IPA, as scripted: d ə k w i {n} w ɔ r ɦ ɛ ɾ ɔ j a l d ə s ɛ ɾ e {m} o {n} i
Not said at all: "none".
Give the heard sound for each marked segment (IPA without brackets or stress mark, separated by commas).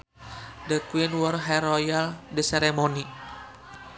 n, m, n